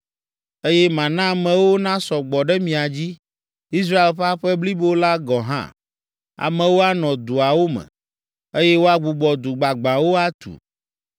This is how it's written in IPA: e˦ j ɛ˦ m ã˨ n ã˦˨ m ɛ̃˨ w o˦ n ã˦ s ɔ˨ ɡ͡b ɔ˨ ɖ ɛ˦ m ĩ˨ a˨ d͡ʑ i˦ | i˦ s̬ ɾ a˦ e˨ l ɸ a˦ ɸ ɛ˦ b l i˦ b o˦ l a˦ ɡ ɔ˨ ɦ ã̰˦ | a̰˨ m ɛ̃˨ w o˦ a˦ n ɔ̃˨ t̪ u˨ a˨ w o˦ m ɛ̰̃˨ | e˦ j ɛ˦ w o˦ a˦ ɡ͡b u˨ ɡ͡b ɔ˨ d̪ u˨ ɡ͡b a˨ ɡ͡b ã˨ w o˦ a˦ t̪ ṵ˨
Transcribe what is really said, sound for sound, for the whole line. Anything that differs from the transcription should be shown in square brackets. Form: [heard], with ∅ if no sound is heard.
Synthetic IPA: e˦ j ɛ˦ m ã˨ n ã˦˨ m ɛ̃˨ w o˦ n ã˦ s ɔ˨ ɡ͡b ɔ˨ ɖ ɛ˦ m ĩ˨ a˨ d͡ʑ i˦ | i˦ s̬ ɾ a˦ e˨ l ɸ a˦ ɸ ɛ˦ b l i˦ b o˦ l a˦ ɡ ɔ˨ ɦ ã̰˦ | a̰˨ m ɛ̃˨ w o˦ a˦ n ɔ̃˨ [d̪] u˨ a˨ w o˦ m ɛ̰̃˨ | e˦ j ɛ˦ w o˦ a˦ ɡ͡b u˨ ɡ͡b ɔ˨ d̪ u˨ ɡ͡b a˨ ɡ͡b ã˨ w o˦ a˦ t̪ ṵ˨